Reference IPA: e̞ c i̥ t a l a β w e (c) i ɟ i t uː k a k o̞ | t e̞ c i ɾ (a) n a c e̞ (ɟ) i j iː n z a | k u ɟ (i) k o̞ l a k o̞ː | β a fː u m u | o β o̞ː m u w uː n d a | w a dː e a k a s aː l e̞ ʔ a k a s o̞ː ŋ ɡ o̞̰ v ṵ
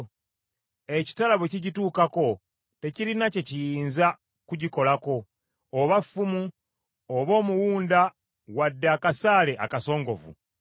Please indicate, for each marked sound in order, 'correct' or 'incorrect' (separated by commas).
correct, incorrect, incorrect, correct